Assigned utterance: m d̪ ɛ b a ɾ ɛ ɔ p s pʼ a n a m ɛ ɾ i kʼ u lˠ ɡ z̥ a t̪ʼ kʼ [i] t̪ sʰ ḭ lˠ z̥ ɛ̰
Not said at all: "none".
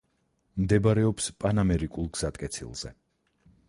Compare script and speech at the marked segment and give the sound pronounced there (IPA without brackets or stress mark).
ɛ